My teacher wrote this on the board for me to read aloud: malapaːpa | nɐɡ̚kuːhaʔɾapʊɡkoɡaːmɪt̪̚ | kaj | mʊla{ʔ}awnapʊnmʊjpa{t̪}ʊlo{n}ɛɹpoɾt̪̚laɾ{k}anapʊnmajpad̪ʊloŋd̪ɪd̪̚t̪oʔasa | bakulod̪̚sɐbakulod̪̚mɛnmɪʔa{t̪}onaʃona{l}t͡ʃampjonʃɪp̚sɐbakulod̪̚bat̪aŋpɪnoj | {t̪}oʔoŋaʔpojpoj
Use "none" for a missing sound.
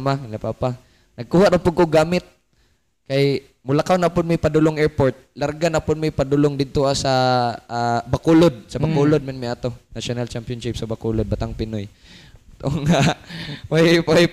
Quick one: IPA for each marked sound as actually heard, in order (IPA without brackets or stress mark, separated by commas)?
k, d̪, ŋ, ɡ, t̪, l, t̪